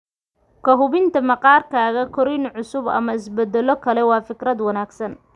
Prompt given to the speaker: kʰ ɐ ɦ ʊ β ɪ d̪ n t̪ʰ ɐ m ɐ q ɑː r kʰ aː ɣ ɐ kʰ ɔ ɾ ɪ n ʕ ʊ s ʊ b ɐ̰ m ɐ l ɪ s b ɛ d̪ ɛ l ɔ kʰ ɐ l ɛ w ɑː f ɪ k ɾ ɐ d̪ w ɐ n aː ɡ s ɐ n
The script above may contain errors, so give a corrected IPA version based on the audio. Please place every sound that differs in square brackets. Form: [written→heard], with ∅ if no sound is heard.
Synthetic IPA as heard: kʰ ɐ ɦ ʊ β ɪ [d̪→∅] n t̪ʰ ɐ m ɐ q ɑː r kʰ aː ɣ ɐ kʰ ɔ ɾ ɪ n ʕ ʊ s ʊ b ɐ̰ m ɐ [l→∅] ɪ s b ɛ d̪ ɛ l ɔ kʰ ɐ l ɛ w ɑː f ɪ k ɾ ɐ d̪ w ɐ n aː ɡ s ɐ n